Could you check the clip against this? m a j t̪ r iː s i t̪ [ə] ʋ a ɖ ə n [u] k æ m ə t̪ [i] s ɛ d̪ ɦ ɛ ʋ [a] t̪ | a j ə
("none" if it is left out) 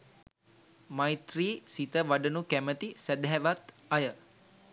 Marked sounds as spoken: ə, u, i, a

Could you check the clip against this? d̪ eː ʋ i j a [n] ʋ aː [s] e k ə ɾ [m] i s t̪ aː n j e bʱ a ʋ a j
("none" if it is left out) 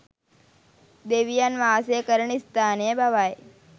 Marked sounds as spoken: n, s, ɳ

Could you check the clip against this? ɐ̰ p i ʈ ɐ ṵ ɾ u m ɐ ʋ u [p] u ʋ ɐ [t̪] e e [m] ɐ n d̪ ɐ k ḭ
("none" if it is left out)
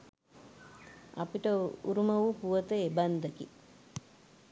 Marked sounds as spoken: p, t̪, b

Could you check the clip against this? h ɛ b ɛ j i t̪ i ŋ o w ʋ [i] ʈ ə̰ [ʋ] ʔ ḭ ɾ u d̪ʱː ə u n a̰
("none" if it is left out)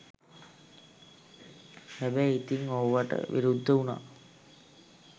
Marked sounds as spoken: a, ʋ

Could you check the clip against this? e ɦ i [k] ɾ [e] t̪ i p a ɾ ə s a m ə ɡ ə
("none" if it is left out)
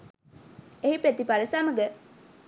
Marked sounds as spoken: p, e

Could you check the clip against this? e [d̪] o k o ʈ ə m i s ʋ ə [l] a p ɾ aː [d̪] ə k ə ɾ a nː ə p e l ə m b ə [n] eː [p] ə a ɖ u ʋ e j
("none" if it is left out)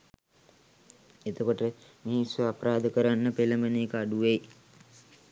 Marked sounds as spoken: t̪, none, d̪, n, k

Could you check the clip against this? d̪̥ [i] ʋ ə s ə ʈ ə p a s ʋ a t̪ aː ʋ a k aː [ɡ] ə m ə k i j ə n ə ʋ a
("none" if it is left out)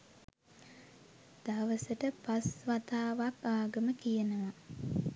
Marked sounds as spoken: a, ɡ

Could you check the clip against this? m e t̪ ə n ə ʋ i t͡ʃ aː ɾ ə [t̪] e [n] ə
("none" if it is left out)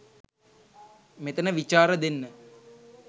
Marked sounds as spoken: d̪, nː

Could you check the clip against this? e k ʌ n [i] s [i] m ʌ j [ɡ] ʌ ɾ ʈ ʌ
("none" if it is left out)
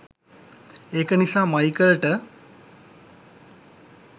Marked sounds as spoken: i, a, k

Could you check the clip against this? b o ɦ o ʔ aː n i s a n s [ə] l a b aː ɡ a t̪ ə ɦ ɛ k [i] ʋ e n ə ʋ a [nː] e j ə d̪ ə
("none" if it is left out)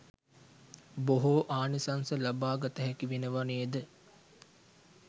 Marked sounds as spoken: ə, i, n

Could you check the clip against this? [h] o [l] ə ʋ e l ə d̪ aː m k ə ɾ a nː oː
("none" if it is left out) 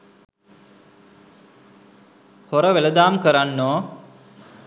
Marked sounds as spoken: h, ɾ

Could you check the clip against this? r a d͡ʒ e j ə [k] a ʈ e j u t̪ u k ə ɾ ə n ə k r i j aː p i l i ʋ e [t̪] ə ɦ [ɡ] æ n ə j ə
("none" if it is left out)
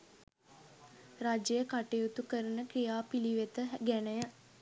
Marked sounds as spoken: k, t̪, ɡ

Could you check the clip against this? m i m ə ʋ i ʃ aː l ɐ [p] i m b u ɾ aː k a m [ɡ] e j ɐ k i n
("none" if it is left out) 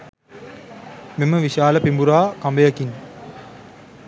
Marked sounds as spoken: p, b

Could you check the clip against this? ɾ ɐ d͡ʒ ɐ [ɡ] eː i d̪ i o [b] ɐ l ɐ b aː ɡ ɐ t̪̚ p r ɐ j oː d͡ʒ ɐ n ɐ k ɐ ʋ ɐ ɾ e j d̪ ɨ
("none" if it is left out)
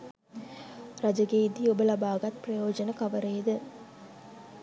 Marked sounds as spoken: ɡ, b

